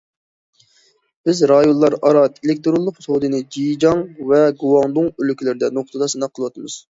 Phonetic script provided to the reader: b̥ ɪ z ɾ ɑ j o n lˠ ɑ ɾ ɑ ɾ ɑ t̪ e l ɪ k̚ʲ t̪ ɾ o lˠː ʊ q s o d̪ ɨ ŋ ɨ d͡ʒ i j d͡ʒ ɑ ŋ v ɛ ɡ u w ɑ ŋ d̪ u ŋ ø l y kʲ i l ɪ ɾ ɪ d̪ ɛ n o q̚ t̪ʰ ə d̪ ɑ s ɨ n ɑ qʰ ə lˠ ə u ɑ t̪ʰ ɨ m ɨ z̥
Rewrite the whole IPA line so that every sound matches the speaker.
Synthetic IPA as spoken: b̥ ɪ z ɾ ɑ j o n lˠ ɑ ɾ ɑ ɾ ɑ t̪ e l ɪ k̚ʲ t̪ ɾ o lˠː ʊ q s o d̪ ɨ n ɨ d͡ʒ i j d͡ʒ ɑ ŋ v ɛ ɡ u w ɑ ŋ d̪ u ŋ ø l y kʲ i l ɪ ɾ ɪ d̪ ɛ n o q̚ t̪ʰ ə d̪ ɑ s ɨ n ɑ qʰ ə lˠ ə w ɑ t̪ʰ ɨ m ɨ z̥